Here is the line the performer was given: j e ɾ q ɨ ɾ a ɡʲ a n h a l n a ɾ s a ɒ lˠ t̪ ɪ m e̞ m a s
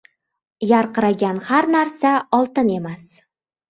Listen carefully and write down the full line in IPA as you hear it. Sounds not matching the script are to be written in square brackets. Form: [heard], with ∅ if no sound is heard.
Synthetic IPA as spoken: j [a] ɾ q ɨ ɾ a ɡʲ a n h a [ɾ] n a ɾ s a ɒ lˠ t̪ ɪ [n] e̞ m a s